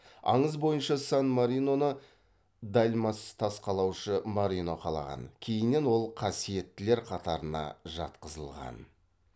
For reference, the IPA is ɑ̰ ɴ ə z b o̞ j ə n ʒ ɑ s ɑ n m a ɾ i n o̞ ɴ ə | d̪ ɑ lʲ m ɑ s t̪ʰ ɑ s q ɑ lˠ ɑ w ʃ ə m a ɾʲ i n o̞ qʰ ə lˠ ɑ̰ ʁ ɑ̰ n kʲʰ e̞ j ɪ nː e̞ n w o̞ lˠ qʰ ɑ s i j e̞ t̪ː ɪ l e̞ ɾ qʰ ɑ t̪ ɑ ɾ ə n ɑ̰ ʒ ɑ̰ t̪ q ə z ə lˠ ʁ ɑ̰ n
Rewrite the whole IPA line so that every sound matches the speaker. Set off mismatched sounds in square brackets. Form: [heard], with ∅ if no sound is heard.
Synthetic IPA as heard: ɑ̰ ɴ ə z b o̞ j ə n [ʃ] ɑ s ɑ n m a ɾ i n o̞ [n] ə | d̪ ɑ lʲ m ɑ s t̪ʰ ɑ s q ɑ lˠ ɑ w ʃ ə m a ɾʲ i n o̞ qʰ [ɑ] lˠ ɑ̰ ʁ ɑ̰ n kʲʰ e̞ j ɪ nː e̞ n w o̞ lˠ qʰ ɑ s i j e̞ t̪ː ɪ l e̞ ɾ qʰ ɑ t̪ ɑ ɾ ə n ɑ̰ ʒ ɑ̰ t̪ q ə z ə lˠ ʁ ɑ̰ n